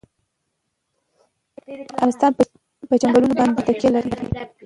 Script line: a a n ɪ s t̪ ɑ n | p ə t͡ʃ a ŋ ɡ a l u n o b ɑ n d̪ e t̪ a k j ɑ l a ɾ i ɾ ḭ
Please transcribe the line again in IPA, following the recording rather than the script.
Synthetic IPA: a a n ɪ s t̪ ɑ n | p ə t͡ʃ a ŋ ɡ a l u n o b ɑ n d̪ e t̪ a k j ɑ l a ɾ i ɾ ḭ